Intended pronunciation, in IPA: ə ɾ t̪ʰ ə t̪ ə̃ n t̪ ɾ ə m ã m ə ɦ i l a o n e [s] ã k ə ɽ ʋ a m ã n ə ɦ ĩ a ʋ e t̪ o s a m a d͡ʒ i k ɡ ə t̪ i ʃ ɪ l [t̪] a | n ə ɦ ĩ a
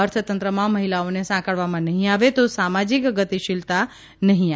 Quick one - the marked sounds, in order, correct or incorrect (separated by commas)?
correct, correct